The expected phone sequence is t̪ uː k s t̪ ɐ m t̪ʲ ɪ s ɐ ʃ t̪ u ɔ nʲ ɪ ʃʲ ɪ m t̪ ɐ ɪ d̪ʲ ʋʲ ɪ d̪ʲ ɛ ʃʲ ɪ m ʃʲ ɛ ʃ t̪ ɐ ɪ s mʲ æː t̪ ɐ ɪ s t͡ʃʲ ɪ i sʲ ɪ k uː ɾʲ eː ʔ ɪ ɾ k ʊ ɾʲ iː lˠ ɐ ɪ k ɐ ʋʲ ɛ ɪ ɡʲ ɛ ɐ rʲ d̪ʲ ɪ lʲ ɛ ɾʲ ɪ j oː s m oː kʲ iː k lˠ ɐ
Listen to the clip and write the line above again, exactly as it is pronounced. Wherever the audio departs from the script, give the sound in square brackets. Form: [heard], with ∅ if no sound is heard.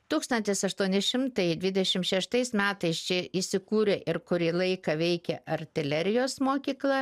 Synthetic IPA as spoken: t̪ uː k s t̪ ɐ [n] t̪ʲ ɪ s ɐ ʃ t̪ u ɔ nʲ ɪ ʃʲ ɪ m t̪ ɐ ɪ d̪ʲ ʋʲ ɪ d̪ʲ ɛ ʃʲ ɪ m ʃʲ ɛ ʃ t̪ ɐ ɪ s mʲ æː t̪ ɐ ɪ s t͡ʃʲ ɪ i sʲ ɪ k uː ɾʲ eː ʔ ɪ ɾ k ʊ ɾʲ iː lˠ ɐ ɪ k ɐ ʋʲ ɛ ɪ [kʲ] ɛ ɐ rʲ [t̪ʲ] ɪ lʲ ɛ ɾʲ ɪ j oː s m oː kʲ iː k lˠ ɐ